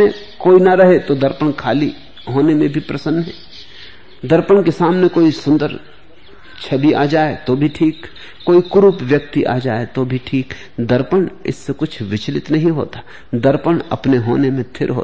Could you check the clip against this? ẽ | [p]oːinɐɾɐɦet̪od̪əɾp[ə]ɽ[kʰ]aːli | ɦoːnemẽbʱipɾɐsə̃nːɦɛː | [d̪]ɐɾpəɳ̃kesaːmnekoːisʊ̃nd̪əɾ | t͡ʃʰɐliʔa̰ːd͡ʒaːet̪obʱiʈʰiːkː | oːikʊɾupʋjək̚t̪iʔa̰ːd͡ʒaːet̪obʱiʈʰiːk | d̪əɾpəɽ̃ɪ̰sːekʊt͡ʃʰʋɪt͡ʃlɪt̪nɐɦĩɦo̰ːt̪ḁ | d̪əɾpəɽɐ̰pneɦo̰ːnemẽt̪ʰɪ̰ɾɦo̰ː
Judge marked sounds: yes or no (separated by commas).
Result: no, yes, yes, yes